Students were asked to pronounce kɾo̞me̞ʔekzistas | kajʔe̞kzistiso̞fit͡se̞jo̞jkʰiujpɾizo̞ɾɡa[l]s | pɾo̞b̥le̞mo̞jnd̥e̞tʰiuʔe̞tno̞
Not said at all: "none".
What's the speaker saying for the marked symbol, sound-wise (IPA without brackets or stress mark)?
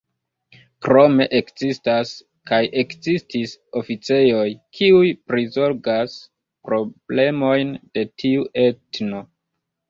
none